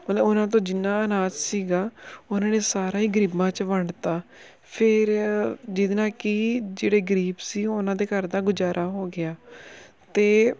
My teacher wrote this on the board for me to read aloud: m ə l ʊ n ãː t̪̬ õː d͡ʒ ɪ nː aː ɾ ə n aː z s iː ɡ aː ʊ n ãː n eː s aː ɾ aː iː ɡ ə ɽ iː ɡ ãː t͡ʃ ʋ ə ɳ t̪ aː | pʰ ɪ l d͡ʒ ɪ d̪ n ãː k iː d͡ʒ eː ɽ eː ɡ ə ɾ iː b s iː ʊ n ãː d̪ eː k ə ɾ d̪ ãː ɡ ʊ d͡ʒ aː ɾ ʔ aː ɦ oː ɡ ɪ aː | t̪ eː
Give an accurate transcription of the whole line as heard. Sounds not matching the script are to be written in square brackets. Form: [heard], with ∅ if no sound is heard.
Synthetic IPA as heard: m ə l ʊ n ãː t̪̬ õː d͡ʒ ɪ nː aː [∅] ə n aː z s iː ɡ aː ʊ n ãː n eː s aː ɾ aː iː ɡ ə [ɾ] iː [b] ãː t͡ʃ ʋ ə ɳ t̪ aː | pʰ ɪ [ɾ] d͡ʒ ɪ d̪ n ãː k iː d͡ʒ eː ɽ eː ɡ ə ɾ iː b s iː ʊ n ãː d̪ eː k ə ɾ d̪ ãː ɡ ʊ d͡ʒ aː ɾ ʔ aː ɦ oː ɡ ɪ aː | t̪ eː